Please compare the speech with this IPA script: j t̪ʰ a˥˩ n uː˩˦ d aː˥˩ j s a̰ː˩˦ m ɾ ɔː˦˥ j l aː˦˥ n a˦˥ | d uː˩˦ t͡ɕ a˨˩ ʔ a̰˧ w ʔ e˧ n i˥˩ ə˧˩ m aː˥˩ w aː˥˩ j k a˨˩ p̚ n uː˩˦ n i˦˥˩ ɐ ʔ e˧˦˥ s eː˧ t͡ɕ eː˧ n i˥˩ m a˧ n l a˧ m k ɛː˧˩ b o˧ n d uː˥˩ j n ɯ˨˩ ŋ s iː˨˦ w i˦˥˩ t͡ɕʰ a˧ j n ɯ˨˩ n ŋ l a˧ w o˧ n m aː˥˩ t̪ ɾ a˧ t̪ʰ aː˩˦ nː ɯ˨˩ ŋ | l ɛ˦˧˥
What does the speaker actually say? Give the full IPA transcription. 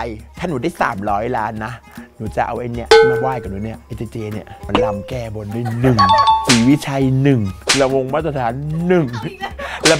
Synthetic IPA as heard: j t̪ʰ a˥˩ n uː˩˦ d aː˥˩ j s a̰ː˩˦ m ɾ ɔː˦˥ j l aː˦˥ nː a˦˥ | n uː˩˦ t͡ɕ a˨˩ ʔ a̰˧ w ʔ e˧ n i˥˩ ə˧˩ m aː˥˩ w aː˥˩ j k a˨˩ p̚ n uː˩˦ n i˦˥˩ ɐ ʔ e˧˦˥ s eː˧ t͡ɕ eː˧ n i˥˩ m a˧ n l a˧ m k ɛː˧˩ b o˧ n d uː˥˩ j n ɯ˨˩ ŋ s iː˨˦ w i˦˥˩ t͡ɕʰ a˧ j n ɯ˨˩ ŋ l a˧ w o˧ ŋ m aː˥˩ t̪ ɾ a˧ t̪ʰ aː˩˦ nː ɯ˨˩ ŋ | l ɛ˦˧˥

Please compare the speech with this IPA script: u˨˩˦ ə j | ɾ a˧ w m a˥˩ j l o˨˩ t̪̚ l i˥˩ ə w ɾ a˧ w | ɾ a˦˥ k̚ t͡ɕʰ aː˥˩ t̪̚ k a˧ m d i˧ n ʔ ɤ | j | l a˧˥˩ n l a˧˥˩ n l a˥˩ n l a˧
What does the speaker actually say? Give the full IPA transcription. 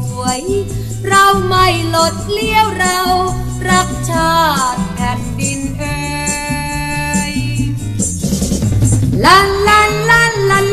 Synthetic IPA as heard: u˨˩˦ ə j | ɾ a˧ w m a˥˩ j l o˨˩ t̪̚ l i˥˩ ə w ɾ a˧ w | ɾ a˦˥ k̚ t͡ɕʰ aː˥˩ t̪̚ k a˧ n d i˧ n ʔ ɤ | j | l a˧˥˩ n l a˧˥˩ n l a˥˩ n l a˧

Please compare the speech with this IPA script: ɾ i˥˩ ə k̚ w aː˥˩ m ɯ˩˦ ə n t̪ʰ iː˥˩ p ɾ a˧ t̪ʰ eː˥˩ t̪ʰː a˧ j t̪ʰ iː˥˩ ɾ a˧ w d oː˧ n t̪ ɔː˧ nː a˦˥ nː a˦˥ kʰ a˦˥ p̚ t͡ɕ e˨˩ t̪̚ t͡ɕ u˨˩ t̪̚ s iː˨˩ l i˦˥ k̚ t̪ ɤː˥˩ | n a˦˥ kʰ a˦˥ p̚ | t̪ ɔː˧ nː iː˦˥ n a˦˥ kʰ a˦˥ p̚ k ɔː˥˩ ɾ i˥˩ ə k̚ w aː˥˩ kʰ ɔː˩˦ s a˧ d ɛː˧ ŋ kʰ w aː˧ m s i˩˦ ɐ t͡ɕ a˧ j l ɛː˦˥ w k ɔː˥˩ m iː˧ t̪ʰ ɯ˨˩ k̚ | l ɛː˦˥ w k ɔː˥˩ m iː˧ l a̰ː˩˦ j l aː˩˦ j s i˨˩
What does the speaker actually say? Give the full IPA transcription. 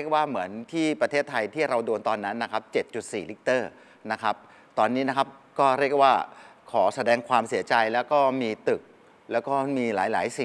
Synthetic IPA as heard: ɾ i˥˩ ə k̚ w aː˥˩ m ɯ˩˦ ə n t̪ʰ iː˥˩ p ɾ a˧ t̪ʰ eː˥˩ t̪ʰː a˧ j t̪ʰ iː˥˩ ɾ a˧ w d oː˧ n t̪ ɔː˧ nː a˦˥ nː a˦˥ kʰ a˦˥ p̚ t͡ɕ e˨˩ t̪̚ t͡ɕ u˨˩ t̪̚ s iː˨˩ l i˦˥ k̚ t̪ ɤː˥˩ | n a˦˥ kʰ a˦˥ p̚ | t̪ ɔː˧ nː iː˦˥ n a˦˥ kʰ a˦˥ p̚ k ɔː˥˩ ɾ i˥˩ ə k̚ w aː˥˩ kʰ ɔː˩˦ s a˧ d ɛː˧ ŋ kʰ w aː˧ m s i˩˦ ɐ t͡ɕ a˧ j l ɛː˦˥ w k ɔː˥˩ m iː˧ t̪ ɯ˨˩ k̚ | l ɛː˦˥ w k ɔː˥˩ m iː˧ l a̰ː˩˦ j l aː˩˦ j s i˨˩

